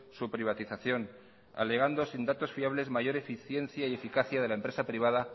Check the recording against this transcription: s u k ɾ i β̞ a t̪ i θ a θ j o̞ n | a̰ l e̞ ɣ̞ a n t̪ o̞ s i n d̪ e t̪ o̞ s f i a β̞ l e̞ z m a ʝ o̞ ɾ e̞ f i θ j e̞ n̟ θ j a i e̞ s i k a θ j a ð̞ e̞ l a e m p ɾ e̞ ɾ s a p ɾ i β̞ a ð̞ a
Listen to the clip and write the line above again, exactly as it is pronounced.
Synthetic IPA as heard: s u p ɾ i β̞ a t̪ i θ a θ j o̞ n | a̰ l e̞ ɣ̞ a n d̪ o̞ s i n d̪ a t̪ o̞ s f i a β̞ l e̞ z m a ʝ o̞ ɾ e̞ f i θ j e̞ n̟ θ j a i e̞ f i k a θ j a ð̞ e̞ l a e m p ɾ e̞ s a p ɾ i β̞ a ð̞ a

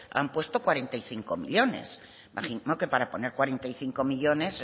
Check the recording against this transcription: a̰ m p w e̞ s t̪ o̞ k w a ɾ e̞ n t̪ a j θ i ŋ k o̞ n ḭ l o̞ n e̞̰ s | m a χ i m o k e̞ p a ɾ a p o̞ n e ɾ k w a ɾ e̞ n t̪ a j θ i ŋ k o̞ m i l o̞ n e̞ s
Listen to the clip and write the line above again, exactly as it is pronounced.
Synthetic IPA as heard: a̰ m p w e̞ s t̪ o̞ k w a ɾ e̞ n t̪ a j θ i ŋ k o̞ m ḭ ʎ o̞ n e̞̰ s | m a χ i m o k e̞ p a ɾ a p o̞ n e ɾ k w a ɾ e̞ n t̪ a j θ i ŋ k o̞ m i ʎ o̞ n e̞ s

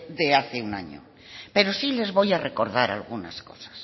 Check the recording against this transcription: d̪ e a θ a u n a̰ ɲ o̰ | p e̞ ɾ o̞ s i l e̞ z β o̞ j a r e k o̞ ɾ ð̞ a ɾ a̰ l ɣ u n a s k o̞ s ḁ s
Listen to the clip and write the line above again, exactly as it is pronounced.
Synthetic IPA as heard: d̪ e a θ e u n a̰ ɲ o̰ | p e̞ ɾ o̞ s i l e̞ z β o̞ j a r e k o̞ ɾ ð̞ a ɾ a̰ l ɣ u n a s k o̞ s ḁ s

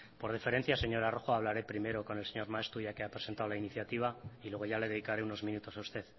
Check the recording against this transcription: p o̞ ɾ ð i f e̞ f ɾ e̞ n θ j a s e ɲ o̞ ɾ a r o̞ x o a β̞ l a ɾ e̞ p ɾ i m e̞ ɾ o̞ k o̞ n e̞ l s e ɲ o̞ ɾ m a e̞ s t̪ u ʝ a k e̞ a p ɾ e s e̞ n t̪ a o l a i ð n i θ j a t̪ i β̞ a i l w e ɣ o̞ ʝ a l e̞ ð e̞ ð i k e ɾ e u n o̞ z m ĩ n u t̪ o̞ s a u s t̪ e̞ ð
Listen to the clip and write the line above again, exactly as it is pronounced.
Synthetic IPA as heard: p o̞ ɾ ð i f e̞ ɾ e̞ n θ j a s e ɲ o̞ ɾ a r o̞ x o a β̞ l a ɾ e̞ p ɾ i m e̞ ɾ o̞ k o̞ n e̞ l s e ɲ o̞ ɾ m a e̞ s t̪ u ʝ a k e̞ a p ɾ e s e̞ n t̪ a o l a i n i θ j a t̪ i β̞ a i l w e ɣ o̞ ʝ a l e̞ ð e̞ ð i k a ɾ e u n o̞ z m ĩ n u t̪ o̞ s a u s t̪ e̞ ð

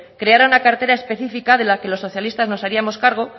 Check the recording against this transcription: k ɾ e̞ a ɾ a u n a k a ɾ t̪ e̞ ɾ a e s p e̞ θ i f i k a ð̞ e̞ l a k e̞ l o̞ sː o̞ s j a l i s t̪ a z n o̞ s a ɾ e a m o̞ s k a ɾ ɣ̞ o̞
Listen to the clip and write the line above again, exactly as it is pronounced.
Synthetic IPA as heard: k ɾ e̞ a ɾ a u n a k a ɾ t̪ e̞ ɾ a e s p e̞ θ i f i k a ð̞ e̞ l a k e̞ l o̞ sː o̞ θ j a l i s t̪ a z n o̞ s a ɾ i a m o̞ s k a ɾ ɣ̞ o̞

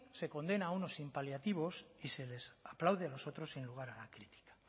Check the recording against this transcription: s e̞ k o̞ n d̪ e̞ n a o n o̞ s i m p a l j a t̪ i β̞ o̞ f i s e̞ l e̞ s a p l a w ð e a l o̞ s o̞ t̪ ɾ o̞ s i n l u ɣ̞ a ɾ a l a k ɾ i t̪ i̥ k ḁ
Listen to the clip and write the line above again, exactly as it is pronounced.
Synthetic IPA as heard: s e̞ k o̞ n d̪ e̞ n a u n o̞ s i m p a l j a t̪ i β̞ o̞ s i s e̞ l e̞ s a p l a w ð e a l o̞ s o̞ t̪ ɾ o̞ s i n l u ɣ̞ a ɾ a l a k ɾ i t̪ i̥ k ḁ

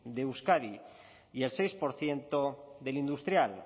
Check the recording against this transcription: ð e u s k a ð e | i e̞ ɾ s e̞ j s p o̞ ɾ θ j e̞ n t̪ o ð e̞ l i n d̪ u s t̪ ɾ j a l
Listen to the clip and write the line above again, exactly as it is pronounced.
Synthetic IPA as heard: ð e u s k a ð i | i e̞ l s e̞ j s p o̞ ɾ θ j e̞ n t̪ o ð e̞ l i n d̪ u s t̪ ɾ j a l

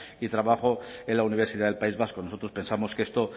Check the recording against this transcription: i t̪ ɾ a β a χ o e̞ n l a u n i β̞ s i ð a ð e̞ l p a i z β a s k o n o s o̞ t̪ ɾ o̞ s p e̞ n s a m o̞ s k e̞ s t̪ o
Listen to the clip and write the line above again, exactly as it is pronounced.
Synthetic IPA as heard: i t̪ ɾ a β a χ o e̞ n l a u n i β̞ s i ð a ð e̞ l p a i z β a s k o n o s o̞ t̪ ɾ o̞ s p e̞ n s a m o̞ s k e̞ s t̪ o

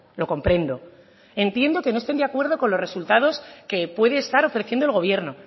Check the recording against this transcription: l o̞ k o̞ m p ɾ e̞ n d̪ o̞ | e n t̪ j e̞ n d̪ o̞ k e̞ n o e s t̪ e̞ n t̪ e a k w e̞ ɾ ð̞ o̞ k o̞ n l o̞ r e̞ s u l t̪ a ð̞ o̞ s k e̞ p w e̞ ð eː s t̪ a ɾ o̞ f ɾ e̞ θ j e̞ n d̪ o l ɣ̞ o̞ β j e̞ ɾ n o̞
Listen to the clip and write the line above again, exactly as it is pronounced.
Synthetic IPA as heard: l o̞ k o̞ m p ɾ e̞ n d̪ o̞ | e n t̪ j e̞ n d̪ o̞ k e̞ n o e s t̪ e̞ n d̪ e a k w e̞ ɾ ð̞ o̞ k o̞ n l o̞ r e̞ s u l t̪ a ð̞ o̞ s k e̞ p w e̞ ð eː s t̪ a ɾ o̞ f ɾ e̞ θ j e̞ n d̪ o l ɣ̞ o̞ β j e̞ ɾ n o̞

